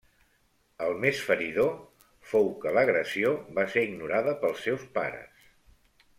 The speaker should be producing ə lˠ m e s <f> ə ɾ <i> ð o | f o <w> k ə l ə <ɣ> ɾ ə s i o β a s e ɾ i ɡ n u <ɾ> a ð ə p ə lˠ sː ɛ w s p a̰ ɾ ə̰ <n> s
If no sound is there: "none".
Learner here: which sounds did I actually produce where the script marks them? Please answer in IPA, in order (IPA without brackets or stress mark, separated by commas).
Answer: f, i, w, ɣ, ɾ, none